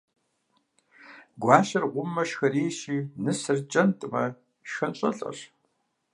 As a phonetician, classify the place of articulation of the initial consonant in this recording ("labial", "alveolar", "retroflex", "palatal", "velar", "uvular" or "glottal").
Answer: velar